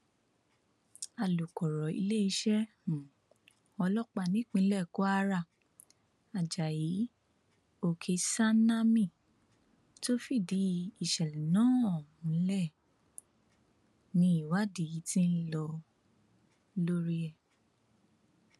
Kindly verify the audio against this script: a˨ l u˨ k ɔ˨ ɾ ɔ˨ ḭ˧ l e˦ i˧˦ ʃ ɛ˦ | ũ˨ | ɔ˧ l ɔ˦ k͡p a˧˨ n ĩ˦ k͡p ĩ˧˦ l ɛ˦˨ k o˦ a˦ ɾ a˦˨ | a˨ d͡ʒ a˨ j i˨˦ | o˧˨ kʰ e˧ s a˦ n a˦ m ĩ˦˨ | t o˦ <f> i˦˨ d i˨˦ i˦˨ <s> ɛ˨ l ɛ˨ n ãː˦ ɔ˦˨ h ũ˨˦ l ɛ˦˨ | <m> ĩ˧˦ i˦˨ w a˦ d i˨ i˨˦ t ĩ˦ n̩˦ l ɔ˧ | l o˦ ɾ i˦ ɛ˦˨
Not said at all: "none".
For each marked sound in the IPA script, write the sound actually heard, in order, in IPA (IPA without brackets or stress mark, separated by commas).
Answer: f, ʃ, n